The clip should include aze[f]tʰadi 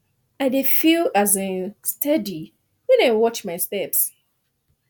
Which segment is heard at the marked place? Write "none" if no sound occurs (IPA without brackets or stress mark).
s